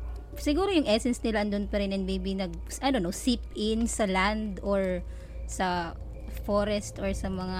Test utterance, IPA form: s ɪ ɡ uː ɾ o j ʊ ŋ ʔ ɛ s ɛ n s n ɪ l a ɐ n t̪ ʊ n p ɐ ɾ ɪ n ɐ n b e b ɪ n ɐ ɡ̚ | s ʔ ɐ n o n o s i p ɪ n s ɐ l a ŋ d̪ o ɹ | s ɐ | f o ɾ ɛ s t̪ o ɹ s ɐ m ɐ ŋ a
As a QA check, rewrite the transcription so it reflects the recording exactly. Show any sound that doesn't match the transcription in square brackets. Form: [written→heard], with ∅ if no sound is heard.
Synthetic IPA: s ɪ ɡ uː ɾ o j ʊ ŋ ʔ ɛ s ɛ n s n ɪ l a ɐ n [t̪→d̪] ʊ n p ɐ ɾ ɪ n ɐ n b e b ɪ n ɐ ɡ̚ | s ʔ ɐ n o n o s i p ɪ n s ɐ l a [ŋ→n] d̪ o ɹ | s ɐ | f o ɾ ɛ s t̪ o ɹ s ɐ m ɐ ŋ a